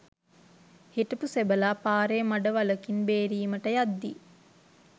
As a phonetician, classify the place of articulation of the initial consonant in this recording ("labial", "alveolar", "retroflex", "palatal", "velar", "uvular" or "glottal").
glottal